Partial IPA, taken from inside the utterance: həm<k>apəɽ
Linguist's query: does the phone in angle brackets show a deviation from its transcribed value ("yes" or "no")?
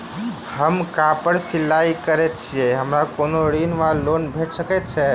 no